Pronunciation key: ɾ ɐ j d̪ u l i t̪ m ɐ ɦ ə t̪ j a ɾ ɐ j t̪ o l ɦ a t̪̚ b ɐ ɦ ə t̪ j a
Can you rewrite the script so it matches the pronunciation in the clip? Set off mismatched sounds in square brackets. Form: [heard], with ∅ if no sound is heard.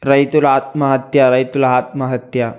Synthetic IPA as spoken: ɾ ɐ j [t̪] u l [a] t̪ m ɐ ɦ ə t̪ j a ɾ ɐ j t̪ [u] l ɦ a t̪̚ [m] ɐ ɦ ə t̪ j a